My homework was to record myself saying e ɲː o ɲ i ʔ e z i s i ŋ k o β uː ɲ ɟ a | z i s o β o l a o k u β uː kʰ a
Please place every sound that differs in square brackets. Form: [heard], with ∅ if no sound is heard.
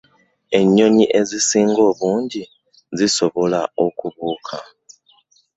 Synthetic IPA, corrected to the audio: e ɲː o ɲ i ʔ e z i s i ŋ [ɡ] o β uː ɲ ɟ [i] | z i s o β o l a o k u β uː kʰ a